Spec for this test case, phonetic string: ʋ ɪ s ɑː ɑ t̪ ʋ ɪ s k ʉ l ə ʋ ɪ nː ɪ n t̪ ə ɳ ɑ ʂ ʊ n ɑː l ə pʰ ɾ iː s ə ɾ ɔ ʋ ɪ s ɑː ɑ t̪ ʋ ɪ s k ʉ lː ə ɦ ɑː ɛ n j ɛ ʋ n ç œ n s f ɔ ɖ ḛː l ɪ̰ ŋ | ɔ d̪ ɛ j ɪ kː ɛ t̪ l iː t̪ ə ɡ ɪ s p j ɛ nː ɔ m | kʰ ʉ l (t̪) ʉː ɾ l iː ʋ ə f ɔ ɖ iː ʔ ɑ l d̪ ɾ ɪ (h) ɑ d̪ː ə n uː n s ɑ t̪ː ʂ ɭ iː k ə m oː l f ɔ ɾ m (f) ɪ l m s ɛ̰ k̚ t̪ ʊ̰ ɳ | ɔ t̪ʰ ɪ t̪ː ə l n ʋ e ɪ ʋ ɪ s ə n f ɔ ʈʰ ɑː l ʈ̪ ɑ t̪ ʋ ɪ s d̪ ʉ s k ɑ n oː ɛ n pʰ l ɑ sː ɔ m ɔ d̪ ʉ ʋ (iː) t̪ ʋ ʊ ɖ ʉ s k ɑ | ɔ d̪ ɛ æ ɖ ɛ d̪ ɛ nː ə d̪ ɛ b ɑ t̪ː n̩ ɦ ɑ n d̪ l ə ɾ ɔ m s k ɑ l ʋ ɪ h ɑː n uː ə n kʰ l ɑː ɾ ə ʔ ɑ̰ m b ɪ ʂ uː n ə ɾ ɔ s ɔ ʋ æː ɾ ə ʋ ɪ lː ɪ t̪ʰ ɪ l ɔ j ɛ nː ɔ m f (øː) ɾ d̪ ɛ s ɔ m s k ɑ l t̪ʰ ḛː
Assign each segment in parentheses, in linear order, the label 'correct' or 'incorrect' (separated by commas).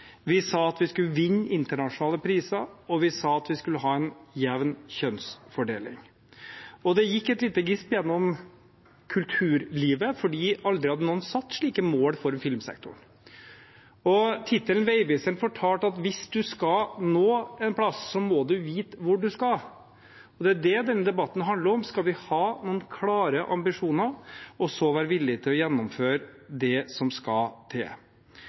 incorrect, correct, correct, correct, correct